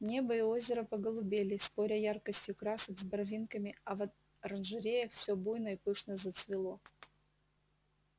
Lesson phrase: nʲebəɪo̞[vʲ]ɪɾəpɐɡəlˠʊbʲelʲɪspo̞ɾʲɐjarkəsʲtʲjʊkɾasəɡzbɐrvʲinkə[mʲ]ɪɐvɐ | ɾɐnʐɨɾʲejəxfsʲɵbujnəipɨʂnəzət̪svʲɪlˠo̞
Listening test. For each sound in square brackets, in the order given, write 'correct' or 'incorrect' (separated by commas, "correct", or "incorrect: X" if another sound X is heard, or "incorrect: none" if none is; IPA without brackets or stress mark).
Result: incorrect: zʲ, correct